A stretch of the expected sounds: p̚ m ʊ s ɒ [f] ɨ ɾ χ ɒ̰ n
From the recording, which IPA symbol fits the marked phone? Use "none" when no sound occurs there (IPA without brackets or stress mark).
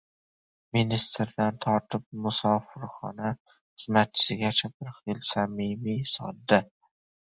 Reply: f